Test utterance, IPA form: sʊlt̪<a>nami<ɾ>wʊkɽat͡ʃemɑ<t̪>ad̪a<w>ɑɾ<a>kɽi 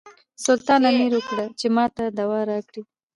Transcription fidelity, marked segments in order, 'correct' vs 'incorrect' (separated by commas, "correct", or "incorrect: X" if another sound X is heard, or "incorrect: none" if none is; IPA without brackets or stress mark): incorrect: ɑ, correct, correct, correct, incorrect: ɑ